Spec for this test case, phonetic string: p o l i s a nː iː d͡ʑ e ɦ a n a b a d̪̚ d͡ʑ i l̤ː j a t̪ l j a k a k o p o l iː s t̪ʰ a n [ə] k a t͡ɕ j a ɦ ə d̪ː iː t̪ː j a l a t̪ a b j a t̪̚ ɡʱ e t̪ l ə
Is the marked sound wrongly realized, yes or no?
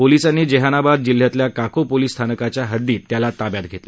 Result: no